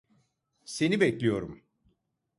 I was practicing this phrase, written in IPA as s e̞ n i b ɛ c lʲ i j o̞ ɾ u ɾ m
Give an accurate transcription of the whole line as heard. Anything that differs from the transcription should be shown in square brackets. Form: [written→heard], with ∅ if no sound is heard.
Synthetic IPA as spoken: s e̞ n i b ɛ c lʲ i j o̞ ɾ u [ɾ→∅] m